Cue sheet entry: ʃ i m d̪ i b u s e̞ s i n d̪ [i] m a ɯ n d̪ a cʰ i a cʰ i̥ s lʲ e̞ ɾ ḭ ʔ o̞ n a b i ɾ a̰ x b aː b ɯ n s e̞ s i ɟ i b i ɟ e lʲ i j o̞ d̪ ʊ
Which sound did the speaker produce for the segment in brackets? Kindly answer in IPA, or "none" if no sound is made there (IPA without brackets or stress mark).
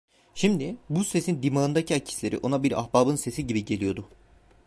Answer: i